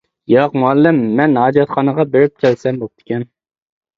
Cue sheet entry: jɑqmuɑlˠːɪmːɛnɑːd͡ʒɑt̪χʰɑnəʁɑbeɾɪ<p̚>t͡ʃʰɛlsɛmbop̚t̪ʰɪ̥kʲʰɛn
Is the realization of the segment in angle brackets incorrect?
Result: no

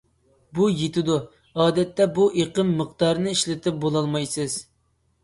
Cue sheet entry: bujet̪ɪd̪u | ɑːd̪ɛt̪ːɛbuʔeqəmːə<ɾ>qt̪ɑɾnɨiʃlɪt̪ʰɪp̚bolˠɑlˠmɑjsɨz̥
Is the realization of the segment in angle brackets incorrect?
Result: yes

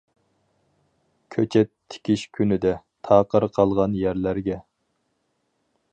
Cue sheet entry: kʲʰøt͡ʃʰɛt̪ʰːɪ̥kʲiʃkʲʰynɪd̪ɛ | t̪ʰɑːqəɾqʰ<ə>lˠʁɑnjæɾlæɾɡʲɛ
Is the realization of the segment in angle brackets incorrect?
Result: yes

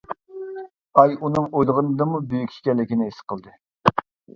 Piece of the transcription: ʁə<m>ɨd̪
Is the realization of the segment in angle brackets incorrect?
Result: yes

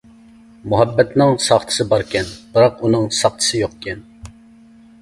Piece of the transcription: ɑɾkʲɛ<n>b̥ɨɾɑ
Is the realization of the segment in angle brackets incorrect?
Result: no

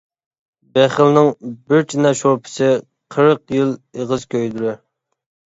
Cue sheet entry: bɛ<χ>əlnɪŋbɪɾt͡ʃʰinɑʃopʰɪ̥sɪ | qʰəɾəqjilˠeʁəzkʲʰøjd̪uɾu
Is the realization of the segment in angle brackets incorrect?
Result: no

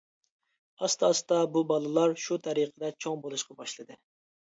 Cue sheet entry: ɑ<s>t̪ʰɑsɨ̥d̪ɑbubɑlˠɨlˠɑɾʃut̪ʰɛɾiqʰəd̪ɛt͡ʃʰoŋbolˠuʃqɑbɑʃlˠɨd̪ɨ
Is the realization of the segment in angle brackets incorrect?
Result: no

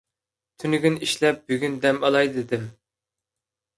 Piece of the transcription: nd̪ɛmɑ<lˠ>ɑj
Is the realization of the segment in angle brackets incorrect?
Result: no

